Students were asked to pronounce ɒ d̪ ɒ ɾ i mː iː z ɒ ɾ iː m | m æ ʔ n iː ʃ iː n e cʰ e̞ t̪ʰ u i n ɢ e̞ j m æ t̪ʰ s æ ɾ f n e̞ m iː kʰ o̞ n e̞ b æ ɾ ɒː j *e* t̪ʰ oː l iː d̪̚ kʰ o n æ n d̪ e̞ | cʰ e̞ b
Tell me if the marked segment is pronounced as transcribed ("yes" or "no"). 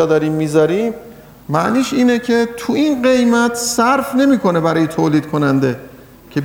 yes